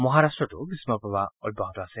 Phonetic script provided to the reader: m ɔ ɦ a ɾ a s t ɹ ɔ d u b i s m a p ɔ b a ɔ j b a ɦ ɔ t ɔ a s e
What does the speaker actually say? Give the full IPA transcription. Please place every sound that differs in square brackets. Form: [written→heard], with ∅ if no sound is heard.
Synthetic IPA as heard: m ɔ ɦ a ɾ a s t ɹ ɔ [d→t] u b i s m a p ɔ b a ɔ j b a ɦ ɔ t ɔ a s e